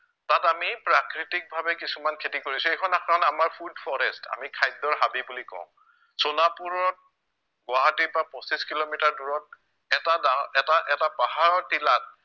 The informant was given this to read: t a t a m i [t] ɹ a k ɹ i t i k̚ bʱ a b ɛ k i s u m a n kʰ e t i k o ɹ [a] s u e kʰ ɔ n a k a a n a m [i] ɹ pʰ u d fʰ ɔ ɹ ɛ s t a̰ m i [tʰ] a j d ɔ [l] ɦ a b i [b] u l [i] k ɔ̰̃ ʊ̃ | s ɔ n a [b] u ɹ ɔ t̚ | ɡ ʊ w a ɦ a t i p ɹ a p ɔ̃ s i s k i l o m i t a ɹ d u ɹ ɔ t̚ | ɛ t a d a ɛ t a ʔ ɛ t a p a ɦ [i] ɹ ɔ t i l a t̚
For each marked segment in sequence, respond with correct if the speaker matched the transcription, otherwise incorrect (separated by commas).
incorrect, incorrect, incorrect, incorrect, incorrect, correct, correct, incorrect, incorrect